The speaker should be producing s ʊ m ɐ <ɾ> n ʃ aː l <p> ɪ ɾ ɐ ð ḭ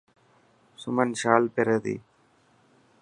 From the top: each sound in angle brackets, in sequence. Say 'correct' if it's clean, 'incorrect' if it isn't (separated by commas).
incorrect, correct